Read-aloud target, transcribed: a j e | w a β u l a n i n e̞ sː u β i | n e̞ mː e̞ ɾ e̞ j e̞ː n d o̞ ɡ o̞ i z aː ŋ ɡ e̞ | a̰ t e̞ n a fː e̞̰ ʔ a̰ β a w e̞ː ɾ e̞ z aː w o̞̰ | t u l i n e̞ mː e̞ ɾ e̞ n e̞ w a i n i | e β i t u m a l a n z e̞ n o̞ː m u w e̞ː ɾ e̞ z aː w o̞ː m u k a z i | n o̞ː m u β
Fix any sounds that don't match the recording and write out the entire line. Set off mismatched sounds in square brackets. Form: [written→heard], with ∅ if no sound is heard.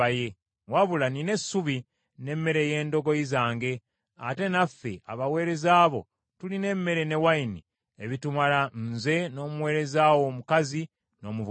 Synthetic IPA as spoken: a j e | w a β u l a n i n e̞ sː u β i | n e̞ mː e̞ ɾ e̞ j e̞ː n d o̞ ɡ o̞ i z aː ŋ ɡ e̞ | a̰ t e̞ n a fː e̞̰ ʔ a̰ β a w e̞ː ɾ e̞ z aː [w→β] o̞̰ | t u l i n e̞ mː e̞ ɾ e̞ n e̞ w a i n i | e β i t u m a l a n z e̞ n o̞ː m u w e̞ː ɾ e̞ z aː w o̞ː m u k a z i | n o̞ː m u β